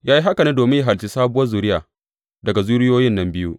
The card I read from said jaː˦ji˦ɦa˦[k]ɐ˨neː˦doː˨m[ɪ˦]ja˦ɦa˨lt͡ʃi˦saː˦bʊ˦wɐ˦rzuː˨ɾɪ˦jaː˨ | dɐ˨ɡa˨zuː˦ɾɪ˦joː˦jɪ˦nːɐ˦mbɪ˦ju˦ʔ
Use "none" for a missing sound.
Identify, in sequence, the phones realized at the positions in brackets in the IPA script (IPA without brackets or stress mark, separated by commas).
k, ɪ˦